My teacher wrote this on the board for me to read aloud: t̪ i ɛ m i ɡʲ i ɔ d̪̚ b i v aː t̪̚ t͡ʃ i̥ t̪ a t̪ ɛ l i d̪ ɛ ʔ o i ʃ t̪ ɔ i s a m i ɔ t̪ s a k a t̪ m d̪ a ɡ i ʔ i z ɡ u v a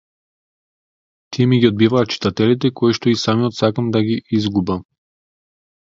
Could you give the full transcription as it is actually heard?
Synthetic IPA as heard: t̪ i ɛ m i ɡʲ i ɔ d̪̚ b i v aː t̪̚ t͡ʃ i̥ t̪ a t̪ ɛ l i t̪ ɛ k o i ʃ t̪ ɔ i s a m i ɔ t̪ s a k a m d̪ a ɡ i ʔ i z ɡ u b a